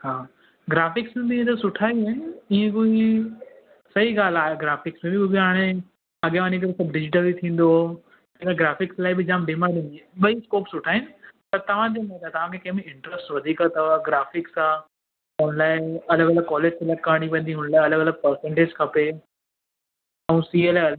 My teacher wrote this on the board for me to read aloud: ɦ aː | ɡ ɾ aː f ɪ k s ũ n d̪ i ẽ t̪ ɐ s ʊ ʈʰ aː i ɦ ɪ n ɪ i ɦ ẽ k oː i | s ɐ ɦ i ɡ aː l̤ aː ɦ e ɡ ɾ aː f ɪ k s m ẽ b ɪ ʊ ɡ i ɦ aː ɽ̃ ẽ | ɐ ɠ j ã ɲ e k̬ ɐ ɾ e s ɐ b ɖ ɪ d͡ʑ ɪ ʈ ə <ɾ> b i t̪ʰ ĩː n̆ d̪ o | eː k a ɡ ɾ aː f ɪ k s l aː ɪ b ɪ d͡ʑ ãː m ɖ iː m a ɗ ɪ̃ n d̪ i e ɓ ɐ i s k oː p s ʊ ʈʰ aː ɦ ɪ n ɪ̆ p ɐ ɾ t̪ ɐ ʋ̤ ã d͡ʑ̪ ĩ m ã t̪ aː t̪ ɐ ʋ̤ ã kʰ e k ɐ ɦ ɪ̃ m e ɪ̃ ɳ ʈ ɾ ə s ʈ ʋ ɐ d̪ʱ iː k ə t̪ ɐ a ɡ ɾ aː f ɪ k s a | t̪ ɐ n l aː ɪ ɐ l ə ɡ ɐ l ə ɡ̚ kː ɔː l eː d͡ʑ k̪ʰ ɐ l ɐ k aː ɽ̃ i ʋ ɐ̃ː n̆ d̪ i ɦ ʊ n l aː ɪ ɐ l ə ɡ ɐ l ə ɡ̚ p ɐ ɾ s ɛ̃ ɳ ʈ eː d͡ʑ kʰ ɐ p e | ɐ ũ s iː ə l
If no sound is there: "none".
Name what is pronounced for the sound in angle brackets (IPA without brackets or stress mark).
l